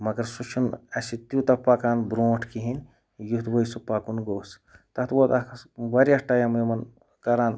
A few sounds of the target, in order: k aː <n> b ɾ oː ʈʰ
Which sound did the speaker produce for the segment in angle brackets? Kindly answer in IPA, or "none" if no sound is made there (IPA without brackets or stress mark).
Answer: n